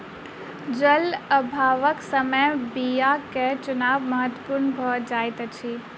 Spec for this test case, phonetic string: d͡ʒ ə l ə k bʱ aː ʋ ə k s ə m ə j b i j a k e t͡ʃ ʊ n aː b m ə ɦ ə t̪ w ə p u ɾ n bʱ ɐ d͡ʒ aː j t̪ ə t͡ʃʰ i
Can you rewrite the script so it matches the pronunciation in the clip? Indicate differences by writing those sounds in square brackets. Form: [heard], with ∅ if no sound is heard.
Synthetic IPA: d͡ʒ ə l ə [∅] bʱ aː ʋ ə k s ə m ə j b i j a k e t͡ʃ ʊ n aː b m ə ɦ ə t̪ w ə p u ɾ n bʱ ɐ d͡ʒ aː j t̪ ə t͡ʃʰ i